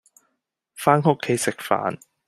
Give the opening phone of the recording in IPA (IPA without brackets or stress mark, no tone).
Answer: f